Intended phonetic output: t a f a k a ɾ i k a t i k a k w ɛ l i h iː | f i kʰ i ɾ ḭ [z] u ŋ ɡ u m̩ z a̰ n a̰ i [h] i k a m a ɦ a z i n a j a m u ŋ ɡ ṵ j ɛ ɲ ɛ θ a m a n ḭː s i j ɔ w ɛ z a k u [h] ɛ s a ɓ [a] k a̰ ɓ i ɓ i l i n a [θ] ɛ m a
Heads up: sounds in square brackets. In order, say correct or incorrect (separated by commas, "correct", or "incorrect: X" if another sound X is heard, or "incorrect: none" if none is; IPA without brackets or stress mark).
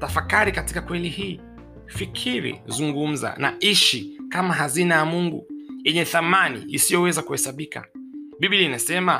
correct, incorrect: ʃ, correct, incorrect: i, incorrect: s